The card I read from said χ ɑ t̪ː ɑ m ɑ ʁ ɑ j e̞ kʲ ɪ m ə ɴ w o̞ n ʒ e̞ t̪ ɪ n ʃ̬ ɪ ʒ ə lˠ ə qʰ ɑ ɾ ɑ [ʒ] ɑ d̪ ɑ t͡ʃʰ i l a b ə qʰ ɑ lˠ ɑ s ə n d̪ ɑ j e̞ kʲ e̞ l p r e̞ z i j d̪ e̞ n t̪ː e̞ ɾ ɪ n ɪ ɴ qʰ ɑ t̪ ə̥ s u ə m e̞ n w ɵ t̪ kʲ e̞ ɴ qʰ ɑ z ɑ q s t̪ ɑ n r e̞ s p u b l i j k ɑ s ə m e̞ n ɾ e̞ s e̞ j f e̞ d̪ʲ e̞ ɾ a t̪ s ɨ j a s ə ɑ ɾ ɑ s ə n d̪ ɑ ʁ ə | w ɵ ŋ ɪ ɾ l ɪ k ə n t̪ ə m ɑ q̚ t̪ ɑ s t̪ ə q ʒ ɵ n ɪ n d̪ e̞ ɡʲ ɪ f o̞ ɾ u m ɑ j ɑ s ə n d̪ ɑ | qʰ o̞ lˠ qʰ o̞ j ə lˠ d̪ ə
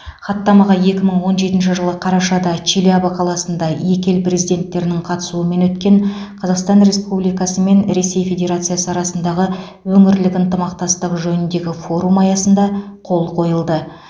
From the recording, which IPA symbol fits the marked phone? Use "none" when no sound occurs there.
ʃ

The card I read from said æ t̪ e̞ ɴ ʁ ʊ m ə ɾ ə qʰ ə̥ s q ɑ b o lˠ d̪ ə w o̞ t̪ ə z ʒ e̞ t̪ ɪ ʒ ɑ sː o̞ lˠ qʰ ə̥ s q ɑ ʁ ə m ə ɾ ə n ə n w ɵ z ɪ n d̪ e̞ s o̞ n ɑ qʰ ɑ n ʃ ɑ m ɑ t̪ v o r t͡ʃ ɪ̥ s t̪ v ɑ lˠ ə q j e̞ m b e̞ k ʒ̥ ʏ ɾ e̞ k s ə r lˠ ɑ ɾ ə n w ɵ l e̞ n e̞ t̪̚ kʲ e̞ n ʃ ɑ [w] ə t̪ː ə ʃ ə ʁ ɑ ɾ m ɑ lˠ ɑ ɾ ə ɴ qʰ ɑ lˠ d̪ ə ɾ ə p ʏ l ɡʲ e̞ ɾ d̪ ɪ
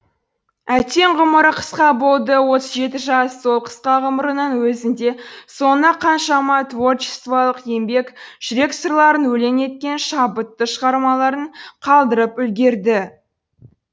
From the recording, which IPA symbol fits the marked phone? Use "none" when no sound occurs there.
b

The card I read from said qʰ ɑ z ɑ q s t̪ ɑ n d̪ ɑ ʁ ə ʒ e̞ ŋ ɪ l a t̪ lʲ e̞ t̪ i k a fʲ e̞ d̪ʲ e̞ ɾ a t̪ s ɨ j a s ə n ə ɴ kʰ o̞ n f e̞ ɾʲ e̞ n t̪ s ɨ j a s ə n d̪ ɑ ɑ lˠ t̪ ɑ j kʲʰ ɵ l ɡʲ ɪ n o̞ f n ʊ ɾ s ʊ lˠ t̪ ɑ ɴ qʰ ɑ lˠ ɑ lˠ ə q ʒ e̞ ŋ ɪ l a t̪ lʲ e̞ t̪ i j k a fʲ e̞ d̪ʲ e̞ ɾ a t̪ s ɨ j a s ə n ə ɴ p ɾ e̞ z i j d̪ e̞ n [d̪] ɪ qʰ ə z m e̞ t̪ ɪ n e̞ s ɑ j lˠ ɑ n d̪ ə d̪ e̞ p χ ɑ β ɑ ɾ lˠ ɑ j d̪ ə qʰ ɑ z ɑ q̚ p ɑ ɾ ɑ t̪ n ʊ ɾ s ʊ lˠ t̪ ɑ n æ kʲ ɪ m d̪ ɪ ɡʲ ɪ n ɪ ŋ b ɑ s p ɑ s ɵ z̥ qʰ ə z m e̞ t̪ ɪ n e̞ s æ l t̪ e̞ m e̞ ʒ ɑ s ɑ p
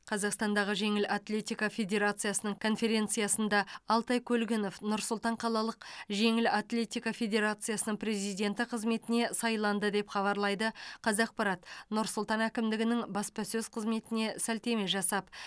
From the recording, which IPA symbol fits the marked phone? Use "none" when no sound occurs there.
t̪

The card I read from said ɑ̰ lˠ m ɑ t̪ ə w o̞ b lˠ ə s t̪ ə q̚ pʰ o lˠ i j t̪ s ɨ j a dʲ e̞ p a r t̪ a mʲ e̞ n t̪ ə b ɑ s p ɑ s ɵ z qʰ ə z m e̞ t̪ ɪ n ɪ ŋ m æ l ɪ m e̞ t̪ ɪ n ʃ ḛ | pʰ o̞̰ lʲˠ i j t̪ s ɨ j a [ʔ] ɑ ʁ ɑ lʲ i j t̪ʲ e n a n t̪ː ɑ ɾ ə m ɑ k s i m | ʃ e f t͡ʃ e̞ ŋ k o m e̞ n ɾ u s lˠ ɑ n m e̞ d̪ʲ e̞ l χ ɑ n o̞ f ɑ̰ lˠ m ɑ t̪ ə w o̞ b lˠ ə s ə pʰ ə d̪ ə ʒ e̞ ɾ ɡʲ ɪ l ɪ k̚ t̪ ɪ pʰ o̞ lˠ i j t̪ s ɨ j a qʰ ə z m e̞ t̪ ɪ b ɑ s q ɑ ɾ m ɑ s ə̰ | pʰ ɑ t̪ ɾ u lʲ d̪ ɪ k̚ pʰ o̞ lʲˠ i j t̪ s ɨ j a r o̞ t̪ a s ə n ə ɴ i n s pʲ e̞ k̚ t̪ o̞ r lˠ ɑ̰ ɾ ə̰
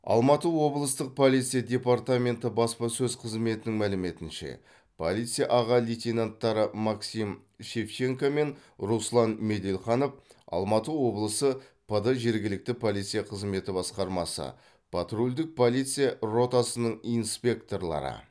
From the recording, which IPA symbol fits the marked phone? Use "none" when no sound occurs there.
ʔ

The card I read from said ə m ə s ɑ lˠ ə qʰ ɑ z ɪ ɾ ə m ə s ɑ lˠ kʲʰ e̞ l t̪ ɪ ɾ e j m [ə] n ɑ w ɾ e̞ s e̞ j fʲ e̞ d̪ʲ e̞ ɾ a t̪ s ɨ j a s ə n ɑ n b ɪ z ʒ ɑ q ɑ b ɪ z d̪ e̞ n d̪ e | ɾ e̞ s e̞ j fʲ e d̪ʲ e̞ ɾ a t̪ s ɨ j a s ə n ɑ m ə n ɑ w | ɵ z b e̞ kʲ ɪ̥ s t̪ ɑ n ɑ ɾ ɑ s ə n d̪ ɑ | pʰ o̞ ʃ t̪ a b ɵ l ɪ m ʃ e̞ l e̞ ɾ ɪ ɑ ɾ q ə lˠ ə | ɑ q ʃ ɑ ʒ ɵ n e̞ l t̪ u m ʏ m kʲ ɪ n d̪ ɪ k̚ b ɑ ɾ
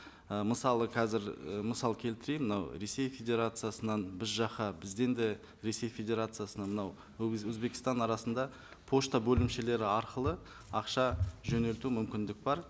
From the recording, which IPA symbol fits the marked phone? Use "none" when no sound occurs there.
ə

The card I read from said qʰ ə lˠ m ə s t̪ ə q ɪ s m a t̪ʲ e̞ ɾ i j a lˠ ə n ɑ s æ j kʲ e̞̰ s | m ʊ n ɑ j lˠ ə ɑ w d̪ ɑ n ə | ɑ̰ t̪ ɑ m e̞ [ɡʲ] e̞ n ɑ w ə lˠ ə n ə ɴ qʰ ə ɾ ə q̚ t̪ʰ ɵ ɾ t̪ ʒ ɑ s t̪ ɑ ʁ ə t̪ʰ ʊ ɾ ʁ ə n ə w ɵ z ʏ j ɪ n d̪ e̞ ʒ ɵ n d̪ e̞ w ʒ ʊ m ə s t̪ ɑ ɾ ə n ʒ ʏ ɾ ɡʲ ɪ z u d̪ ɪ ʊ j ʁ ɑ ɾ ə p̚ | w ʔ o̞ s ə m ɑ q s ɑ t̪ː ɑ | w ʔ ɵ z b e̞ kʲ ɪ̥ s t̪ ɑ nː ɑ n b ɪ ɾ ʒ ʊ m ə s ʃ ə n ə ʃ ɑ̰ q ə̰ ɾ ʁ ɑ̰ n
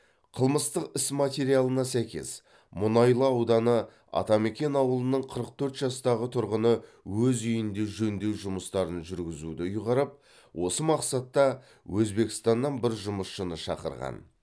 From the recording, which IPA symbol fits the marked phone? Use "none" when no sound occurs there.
kʲ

